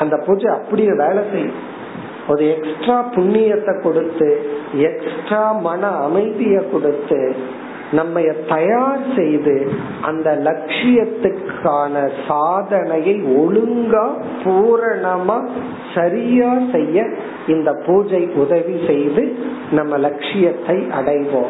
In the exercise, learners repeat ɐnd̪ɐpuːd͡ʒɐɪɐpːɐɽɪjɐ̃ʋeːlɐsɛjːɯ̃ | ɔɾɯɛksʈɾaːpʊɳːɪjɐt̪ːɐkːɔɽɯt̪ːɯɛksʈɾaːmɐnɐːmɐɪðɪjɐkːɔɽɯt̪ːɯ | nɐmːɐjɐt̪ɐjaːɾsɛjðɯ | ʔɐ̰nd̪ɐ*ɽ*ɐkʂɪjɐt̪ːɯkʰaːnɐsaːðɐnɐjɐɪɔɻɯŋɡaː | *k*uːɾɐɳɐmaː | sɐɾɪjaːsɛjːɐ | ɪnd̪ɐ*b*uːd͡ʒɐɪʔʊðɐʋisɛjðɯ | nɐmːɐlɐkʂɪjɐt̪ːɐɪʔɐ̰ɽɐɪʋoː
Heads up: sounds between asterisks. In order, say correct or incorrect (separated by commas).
incorrect, incorrect, incorrect